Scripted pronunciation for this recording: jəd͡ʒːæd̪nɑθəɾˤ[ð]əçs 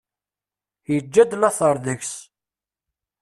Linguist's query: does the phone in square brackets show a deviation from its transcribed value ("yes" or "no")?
no